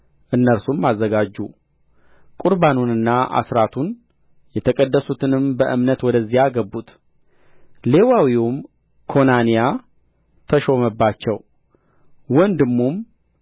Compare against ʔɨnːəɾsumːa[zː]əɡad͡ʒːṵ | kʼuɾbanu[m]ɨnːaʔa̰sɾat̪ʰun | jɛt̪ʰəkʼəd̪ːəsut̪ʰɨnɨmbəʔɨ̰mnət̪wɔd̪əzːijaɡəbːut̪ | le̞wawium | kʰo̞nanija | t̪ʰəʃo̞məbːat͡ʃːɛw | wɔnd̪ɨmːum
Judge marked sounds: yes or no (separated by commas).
yes, no